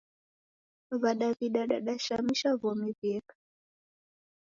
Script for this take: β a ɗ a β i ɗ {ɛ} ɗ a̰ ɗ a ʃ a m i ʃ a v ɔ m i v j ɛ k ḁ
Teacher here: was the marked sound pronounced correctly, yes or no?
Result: no